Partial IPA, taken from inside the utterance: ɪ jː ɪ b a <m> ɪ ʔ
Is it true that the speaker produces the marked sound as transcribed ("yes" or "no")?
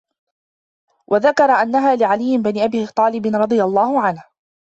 no